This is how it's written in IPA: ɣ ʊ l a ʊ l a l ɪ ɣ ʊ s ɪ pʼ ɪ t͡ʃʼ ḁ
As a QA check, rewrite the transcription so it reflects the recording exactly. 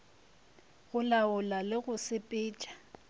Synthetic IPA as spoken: ɣ ʊ l a ʊ l a l ɪ ɣ ʊ s ɪ pʼ ɪː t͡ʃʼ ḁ